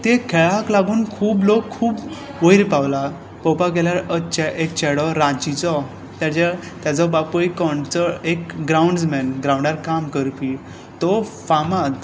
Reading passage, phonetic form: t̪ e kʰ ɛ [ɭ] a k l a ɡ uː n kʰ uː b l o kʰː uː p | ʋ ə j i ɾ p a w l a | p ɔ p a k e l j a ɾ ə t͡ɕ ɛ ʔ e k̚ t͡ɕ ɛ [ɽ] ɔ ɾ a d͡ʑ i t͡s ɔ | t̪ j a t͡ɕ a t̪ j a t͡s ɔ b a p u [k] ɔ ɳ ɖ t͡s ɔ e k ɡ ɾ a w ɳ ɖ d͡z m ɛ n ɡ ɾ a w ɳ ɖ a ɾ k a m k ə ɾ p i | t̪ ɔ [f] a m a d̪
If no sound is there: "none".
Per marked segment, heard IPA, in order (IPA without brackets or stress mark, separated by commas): ɭ, ɽ, k, f